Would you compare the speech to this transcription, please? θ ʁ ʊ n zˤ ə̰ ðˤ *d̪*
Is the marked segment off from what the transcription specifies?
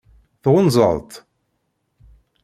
yes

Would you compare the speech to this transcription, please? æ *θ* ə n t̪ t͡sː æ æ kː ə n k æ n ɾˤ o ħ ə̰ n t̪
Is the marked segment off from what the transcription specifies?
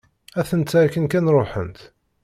no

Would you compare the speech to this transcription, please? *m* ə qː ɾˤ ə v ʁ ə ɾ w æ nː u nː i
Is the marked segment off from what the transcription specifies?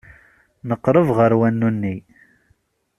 yes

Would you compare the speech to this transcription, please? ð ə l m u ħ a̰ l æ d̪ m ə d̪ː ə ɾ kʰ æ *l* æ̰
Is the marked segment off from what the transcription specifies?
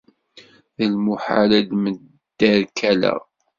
no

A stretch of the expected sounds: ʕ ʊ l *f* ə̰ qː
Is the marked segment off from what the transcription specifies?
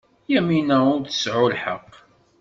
yes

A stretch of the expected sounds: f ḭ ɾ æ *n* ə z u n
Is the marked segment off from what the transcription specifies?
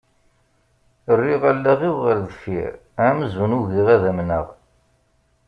yes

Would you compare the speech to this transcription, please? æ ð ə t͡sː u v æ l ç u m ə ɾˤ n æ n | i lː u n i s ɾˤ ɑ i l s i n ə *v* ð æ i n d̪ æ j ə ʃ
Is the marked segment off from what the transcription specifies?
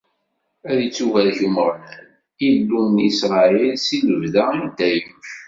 no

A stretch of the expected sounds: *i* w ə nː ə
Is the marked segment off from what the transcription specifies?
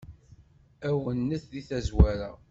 yes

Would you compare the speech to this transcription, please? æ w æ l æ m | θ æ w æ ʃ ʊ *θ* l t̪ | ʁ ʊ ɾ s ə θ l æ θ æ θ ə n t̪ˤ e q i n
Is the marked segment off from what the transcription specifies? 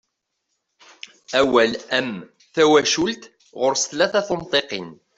yes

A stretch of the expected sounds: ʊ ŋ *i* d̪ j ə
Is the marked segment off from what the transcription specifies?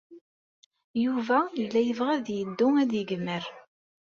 yes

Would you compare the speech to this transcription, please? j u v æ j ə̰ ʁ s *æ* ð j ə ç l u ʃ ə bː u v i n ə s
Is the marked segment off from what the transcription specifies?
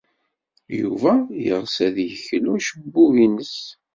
no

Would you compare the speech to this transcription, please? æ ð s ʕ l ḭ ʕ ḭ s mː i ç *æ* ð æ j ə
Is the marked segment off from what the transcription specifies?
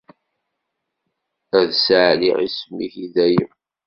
yes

